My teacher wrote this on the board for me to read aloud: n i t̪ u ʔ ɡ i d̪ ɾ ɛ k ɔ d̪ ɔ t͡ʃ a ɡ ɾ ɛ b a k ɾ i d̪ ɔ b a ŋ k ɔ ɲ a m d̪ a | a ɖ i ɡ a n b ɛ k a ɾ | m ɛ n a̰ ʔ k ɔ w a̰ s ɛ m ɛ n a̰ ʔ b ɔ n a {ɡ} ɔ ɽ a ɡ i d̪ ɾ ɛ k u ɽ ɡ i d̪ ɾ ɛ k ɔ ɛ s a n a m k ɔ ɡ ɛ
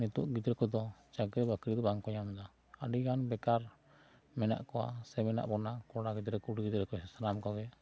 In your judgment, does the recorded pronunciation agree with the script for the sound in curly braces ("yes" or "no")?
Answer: no